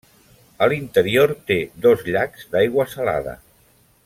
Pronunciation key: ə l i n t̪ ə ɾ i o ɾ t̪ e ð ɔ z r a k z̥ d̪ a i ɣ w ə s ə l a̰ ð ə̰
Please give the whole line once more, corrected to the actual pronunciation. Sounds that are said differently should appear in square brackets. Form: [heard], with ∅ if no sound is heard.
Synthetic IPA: ə l i n t̪ ə ɾ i o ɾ t̪ e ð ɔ z [ʎ] a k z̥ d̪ a [j] ɣ w ə s ə l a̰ ð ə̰